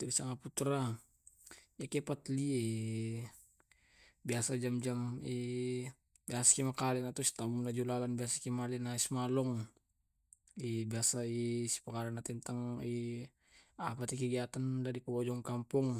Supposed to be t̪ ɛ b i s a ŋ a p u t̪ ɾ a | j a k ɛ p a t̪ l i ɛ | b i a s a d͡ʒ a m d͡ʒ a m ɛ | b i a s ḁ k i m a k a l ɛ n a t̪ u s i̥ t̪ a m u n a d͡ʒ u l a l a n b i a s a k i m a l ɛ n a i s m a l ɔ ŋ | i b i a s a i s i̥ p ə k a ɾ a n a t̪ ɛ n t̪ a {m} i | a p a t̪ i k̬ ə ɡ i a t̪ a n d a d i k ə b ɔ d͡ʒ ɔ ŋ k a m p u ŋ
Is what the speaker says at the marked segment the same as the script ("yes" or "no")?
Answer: no